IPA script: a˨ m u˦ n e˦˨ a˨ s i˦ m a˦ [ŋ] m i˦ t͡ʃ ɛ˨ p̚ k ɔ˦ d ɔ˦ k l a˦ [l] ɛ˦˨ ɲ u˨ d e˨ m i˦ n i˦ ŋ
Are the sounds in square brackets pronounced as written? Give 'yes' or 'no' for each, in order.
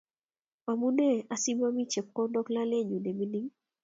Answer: no, yes

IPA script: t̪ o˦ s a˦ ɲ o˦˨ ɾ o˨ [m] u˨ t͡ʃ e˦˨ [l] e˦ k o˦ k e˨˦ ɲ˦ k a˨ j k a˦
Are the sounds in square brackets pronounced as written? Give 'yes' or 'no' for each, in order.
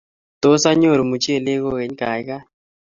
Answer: yes, yes

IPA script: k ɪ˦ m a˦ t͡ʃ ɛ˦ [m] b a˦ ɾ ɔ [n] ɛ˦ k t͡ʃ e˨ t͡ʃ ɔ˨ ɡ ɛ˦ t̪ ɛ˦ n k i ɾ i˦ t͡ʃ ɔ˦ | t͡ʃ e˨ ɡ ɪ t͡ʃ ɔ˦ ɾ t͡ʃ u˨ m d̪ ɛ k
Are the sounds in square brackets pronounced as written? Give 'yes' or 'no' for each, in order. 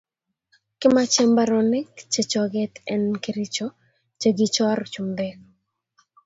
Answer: yes, yes

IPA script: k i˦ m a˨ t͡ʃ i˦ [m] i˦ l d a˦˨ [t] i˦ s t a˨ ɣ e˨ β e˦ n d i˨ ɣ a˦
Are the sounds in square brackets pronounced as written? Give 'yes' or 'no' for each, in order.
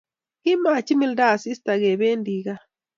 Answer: yes, no

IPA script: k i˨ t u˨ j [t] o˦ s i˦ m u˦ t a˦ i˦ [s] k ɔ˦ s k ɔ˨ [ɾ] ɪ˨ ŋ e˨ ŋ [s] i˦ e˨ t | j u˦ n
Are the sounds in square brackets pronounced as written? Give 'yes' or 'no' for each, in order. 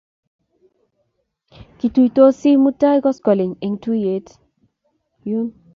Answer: yes, no, no, no

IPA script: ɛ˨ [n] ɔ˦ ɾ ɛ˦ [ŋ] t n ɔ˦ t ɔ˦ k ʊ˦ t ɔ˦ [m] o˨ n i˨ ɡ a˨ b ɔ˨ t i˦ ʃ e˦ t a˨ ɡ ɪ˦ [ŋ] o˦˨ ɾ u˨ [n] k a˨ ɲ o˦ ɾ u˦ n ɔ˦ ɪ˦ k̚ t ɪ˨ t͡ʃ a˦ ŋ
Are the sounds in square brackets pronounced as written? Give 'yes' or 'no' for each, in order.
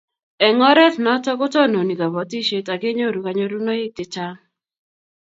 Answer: no, no, no, no, no

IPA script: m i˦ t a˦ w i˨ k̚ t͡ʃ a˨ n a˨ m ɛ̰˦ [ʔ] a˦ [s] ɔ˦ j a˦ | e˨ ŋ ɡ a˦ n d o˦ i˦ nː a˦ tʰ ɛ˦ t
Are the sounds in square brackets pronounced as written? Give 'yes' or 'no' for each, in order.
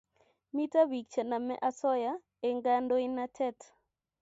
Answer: yes, yes

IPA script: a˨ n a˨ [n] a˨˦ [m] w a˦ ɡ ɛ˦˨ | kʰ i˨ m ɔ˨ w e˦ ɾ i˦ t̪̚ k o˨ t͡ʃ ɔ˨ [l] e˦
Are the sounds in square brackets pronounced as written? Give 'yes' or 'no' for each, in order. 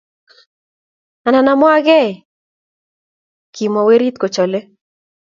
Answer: yes, yes, yes

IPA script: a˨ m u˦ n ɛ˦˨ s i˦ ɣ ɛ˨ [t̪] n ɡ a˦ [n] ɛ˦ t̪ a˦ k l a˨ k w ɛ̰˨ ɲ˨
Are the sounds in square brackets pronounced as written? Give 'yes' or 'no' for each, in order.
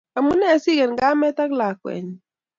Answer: no, no

